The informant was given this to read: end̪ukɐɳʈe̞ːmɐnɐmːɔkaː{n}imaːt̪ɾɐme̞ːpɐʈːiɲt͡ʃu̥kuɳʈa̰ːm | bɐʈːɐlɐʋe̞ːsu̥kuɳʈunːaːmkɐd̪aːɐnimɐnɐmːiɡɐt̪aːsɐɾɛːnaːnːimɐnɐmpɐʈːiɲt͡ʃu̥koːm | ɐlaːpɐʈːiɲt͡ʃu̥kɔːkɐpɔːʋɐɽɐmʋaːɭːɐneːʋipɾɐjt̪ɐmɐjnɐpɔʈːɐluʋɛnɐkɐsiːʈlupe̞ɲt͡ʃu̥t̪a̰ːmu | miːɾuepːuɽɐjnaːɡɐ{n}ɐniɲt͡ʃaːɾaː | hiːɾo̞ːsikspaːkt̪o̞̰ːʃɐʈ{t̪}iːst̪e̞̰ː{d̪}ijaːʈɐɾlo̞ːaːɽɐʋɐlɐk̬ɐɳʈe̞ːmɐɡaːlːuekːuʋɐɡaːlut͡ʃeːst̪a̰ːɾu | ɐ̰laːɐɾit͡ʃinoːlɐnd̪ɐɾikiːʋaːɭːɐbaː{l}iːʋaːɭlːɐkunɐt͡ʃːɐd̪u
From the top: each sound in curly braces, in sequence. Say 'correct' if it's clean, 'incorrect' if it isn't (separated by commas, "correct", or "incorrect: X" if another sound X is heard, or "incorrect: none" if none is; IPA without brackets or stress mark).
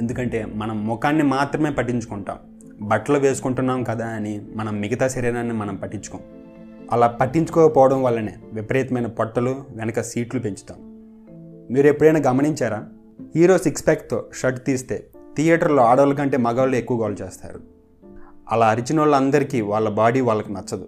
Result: incorrect: nː, incorrect: m, correct, incorrect: t̪, incorrect: ɽ